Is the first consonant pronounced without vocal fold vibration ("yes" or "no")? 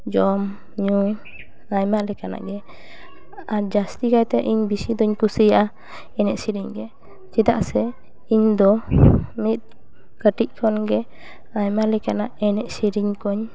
no